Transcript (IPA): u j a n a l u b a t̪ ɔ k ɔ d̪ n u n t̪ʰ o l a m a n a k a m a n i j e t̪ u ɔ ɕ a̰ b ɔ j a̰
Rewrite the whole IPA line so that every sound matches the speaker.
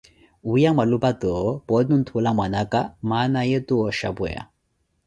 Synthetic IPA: u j a m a l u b a t̪ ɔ p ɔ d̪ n u n t̪ʰ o l a m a n a k a m a n a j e t̪ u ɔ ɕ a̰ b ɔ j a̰